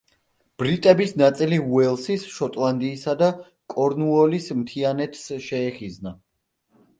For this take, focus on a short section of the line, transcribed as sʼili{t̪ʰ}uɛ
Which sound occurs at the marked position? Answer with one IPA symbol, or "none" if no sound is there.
none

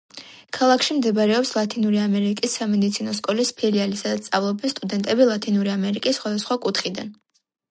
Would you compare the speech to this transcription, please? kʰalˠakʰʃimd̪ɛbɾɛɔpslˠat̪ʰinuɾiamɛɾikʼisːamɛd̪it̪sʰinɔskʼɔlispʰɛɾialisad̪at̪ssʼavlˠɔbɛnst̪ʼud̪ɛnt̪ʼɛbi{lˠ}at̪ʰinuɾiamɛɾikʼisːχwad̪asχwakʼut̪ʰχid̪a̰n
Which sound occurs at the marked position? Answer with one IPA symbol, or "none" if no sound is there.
lˠ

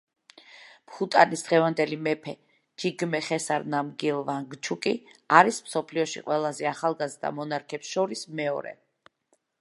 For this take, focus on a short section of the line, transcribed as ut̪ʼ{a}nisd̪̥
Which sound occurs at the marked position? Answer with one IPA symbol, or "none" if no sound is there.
a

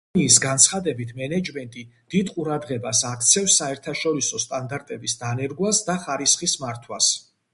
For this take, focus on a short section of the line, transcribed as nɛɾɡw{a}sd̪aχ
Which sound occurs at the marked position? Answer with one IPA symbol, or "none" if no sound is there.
a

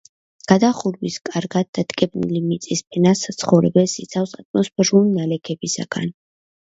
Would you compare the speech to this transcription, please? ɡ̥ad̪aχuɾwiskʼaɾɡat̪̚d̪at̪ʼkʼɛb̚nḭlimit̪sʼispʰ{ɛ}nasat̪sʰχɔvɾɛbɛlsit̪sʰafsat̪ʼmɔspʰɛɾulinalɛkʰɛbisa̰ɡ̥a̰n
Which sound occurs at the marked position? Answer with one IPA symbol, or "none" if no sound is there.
ɛ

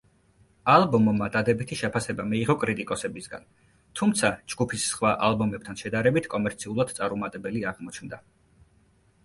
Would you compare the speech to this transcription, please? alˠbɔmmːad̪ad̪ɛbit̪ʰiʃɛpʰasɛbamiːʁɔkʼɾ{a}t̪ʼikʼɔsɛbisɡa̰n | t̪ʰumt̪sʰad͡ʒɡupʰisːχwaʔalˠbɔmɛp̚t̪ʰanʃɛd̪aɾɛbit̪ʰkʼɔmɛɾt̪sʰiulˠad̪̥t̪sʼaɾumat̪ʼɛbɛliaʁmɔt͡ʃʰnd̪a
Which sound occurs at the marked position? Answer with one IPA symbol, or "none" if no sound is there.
i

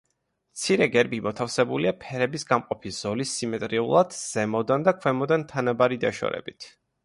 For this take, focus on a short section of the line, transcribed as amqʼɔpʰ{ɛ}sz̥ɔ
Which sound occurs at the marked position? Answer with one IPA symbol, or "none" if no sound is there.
i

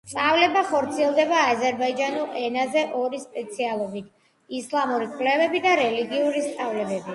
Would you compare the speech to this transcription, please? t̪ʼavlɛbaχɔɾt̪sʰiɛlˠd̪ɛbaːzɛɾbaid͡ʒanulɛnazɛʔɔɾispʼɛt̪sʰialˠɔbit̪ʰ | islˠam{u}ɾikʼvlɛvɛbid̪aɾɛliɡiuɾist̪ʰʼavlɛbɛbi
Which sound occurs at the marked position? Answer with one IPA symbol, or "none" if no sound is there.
u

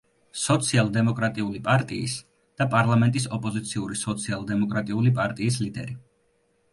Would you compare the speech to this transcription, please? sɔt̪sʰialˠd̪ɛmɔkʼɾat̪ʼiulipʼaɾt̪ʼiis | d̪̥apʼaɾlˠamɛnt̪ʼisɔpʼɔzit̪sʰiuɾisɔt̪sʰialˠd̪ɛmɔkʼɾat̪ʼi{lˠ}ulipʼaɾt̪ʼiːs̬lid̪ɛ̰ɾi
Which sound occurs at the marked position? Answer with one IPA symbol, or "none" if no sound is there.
none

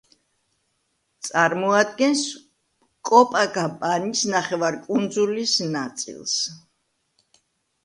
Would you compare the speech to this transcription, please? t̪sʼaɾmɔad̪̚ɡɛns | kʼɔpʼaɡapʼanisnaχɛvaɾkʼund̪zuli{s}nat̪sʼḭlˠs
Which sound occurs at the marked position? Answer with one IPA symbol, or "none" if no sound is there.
s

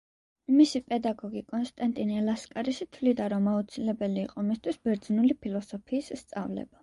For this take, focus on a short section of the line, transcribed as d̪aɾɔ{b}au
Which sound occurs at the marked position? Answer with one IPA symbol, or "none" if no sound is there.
m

